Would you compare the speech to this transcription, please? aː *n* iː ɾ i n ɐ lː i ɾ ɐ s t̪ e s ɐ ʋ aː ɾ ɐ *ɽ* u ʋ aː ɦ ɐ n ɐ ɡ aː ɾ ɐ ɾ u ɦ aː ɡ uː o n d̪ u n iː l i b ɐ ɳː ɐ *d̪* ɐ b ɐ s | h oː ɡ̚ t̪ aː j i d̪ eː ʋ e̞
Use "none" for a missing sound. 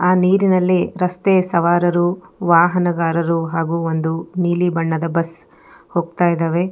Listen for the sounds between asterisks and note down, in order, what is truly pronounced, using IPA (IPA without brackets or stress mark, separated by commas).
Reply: n, ɾ, d̪